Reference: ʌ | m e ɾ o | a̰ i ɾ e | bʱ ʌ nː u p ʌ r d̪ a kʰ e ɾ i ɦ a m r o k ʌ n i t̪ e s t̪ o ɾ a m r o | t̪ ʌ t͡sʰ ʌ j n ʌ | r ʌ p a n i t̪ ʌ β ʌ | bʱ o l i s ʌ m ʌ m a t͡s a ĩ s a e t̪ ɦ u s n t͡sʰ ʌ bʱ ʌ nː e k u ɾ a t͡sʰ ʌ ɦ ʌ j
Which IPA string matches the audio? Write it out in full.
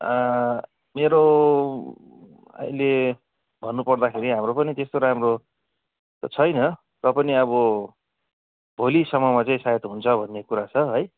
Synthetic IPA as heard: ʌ | m e ɾ o | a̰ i l e | bʱ ʌ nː u p ʌ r d̪ a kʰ e ɾ i ɦ a m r o p ʌ n i t̪ e s t̪ o ɾ a m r o | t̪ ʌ t͡sʰ ʌ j n ʌ | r ʌ p ʌ n i ʌ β ʌ | bʱ o l i s ʌ m ʌ m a t͡s a ĩ s a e t̪ ɦ u n t͡sʰ ʌ bʱ ʌ nː e k u ɾ a t͡sʰ ʌ ɦ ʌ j